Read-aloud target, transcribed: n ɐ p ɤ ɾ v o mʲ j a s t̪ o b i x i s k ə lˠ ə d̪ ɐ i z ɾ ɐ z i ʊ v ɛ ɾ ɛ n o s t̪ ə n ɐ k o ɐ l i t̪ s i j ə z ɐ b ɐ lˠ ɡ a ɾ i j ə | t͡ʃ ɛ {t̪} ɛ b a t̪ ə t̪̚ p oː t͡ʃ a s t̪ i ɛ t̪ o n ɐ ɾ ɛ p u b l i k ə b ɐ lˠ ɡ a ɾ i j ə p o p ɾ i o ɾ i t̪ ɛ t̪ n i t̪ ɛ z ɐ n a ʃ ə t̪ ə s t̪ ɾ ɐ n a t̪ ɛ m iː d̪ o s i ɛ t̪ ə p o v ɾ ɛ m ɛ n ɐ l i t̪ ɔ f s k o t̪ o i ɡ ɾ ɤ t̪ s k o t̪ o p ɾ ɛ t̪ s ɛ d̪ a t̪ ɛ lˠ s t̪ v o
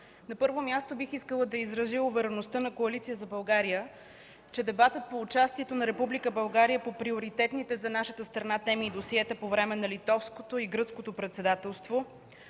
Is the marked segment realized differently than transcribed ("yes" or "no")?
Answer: yes